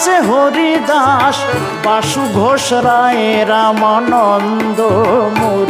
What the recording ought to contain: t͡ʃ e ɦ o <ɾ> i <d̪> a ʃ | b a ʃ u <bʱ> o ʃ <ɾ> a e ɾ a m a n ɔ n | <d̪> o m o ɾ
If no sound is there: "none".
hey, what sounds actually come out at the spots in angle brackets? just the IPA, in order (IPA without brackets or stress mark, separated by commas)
ɾ, d̪, ɡʱ, ɾ, d̪